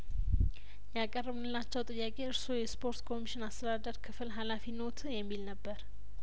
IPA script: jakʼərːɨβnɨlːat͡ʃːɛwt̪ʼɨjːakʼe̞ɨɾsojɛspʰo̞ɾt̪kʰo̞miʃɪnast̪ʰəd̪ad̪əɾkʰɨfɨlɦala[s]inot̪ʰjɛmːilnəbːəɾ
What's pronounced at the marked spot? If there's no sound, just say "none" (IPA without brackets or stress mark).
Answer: f